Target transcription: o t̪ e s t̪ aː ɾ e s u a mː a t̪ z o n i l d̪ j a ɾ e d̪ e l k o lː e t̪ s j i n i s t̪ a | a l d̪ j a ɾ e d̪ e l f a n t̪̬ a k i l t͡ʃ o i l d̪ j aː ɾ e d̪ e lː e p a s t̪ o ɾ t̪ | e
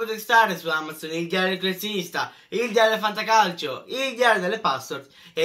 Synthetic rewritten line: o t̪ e s t̪ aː ɾ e s u a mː a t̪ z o n i l d̪ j a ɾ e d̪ e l k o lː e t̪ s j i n i s t̪ a | i l d̪ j a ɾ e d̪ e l f a n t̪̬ a k a l t͡ʃ o i l d̪ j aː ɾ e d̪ e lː e p a s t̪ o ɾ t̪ | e

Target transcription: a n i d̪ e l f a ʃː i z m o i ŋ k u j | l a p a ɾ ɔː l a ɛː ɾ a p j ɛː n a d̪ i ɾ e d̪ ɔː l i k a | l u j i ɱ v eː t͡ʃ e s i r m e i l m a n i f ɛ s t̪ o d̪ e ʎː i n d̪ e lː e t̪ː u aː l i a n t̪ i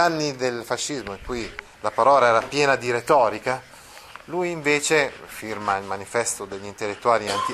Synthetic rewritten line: a nː i d̪ e l f a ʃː i z m o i ŋ k u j | l a p a ɾ ɔː l a ɛː ɾ a p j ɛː n a d̪ i ɾ e t̪ ɔː ɾ i k a | l u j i ɱ v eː t͡ʃ e f i r m a i l m a n i f ɛ s t̪ o d̪ e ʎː i n t̪ e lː e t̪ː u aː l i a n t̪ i

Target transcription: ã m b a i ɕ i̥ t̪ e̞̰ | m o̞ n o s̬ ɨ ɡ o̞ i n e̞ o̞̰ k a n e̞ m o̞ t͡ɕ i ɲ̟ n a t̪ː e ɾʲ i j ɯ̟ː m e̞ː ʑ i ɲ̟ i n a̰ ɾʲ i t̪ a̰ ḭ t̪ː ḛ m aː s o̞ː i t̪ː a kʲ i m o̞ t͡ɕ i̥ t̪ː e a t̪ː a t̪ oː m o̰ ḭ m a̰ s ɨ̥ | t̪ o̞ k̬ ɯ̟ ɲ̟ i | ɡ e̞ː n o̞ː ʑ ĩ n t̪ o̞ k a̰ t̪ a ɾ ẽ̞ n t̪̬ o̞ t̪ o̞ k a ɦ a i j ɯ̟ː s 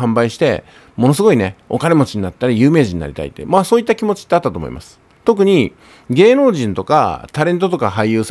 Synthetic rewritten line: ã m b a i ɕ i̥ t̪ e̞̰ | m o̞ n o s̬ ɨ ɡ o̞ i n e̞ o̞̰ k a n e̞ m o̞ t͡ɕ i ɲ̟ n a t̪ː a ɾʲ i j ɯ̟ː m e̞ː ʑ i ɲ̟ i n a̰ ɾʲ i t̪ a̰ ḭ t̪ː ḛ m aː s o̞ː i t̪ː a kʲ i m o̞ t͡ɕ i̥ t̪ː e a t̪ː a t̪ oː m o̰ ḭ m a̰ s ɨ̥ | t̪ o̞ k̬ ɯ̟ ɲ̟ i | ɡ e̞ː n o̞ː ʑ ĩ n t̪ o̞ k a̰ t̪ a ɾ ẽ̞ n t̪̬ o̞ t̪ o̞ k a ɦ a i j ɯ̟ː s

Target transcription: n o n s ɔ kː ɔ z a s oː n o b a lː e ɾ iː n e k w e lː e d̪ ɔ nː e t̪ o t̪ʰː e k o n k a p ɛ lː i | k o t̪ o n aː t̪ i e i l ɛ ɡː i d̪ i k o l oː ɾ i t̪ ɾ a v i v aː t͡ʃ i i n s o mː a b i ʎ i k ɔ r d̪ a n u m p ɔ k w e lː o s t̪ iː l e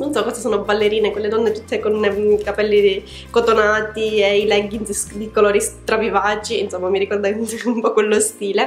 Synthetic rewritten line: n o n s ɔ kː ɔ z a s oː n o b a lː e ɾ iː n e k w e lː e d̪ ɔ nː e t̪ u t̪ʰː e k o n k a p ɛ lː i | k o t̪ o n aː t̪ i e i l ɛ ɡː i d̪ i k o l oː ɾ i t̪ ɾ a v i v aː t͡ʃ i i n s o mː a m i ɾ i k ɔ r d̪ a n u m p ɔ k w e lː o s t̪ iː l e

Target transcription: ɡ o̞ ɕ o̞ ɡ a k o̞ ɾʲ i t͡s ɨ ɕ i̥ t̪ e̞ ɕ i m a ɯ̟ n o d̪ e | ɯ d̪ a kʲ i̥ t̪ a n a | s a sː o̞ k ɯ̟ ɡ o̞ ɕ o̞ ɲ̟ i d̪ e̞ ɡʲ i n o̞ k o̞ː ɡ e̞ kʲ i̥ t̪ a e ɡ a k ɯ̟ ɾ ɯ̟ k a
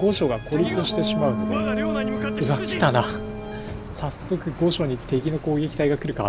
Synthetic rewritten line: ɡ o̞ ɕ o̞ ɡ a k o̞ ɾʲ i t͡s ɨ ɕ i̥ t̪ e̞ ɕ i m a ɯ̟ n o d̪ e | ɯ a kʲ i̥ t̪ a n a | s a sː o̞ k ɯ̟ ɡ o̞ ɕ o̞ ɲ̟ i t̪ e̞ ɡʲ i n o̞ k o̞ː ɡ e̞ kʲ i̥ t̪ a i ɡ a k ɯ̟ ɾ ɯ̟ k a

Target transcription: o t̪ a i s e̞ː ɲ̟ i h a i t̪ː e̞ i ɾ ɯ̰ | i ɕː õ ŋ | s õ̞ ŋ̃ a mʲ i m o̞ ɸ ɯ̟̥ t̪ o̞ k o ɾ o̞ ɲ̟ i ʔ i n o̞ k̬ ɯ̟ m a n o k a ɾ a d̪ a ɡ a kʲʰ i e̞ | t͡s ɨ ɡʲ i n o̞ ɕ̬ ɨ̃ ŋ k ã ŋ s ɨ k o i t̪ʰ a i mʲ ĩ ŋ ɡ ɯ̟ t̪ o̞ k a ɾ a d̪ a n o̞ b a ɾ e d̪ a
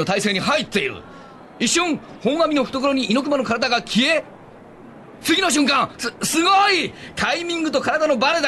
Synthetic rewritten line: o t̪ a i s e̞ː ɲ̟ i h a i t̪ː e̞ i ɾ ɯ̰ | i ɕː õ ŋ | h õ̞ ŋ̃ a mʲ i n o̞ ɸ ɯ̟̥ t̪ o̞ k o ɾ o̞ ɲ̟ i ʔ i n o̞ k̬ ɯ̟ m a n o k a ɾ a d̪ a ɡ a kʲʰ i e̞ | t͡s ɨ ɡʲ i n o̞ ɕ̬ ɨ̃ ŋ k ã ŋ s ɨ ɡ o i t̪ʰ a i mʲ ĩ ŋ ɡ ɯ̟ t̪ o̞ k a ɾ a d̪ a n o̞ b a ɾ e d̪ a

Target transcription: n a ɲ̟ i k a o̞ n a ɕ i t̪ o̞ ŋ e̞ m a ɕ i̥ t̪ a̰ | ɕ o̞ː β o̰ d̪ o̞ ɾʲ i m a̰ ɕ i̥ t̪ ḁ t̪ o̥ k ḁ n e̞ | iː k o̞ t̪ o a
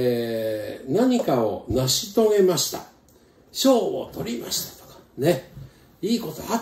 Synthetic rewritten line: n a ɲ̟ i k a o̞ n a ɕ i t̪ o̞ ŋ e̞ m a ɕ i̥ t̪ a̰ | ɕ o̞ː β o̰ t̪ o̞ ɾʲ i m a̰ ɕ i̥ t̪ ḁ t̪ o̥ k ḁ n e̞ | iː k o̞ t̪ o a

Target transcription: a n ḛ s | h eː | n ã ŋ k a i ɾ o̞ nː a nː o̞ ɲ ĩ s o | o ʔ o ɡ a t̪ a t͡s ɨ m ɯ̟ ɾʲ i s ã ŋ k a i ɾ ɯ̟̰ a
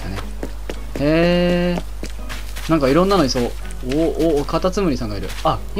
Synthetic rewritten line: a n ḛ | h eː | n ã ŋ k a i ɾ õ̞ nː a n o̞ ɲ i s o | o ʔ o k a t̪ a t͡s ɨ m ɯ̟ ɾʲ i s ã ŋ ɡ a i ɾ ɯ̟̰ a

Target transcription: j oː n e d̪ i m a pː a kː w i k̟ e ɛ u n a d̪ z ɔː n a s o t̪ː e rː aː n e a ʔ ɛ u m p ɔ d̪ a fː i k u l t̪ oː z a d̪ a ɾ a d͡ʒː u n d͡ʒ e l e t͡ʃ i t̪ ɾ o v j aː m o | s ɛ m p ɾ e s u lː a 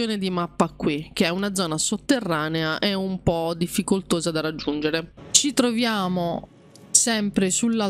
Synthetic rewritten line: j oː n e d̪ i m a pː a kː w i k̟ e ɛ u n a d̪ z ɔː n a s o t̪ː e rː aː n e a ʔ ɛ u m p ɔ d̪ i fː i k o l t̪ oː z a d̪ a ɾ a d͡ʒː u n d͡ʒ e ɾ e t͡ʃ i t̪ ɾ o v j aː m o | s ɛ m p ɾ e s u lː a

